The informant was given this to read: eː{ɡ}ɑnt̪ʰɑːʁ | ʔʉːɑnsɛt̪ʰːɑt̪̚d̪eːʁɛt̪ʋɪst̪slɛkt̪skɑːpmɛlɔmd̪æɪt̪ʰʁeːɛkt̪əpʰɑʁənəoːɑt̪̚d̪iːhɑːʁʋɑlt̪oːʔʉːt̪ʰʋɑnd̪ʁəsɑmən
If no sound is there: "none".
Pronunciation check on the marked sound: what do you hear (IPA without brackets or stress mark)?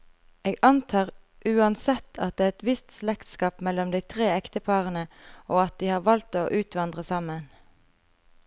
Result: ɡ